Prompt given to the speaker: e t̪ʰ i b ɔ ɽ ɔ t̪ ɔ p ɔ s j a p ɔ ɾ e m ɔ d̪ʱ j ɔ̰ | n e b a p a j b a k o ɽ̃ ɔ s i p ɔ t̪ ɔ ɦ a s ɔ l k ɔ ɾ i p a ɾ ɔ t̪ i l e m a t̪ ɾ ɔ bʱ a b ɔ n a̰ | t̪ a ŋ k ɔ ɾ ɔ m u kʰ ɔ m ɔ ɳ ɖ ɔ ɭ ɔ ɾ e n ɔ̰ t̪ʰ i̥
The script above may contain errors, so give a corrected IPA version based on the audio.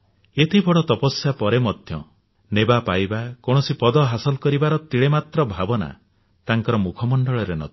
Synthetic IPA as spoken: e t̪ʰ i b ɔ ɽ ɔ t̪ ɔ p ɔ s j a p ɔ ɾ e m ɔ d̪ʱ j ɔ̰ | n e b a p a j b a k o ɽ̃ ɔ s i p ɔ d̪ ɔ ɦ a s ɔ l k ɔ ɾ i b a ɾ ɔ t̪ i ɭ e m a t̪ ɾ ɔ bʱ a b ɔ n a̰ | t̪ a ŋ k ɔ ɾ ɔ m u kʰ ɔ m ɔ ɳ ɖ ɔ ɭ ɔ ɾ e n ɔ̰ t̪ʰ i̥